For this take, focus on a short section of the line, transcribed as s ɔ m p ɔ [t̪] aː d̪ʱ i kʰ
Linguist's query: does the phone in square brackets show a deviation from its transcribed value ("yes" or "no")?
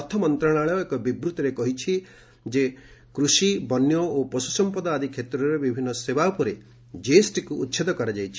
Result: yes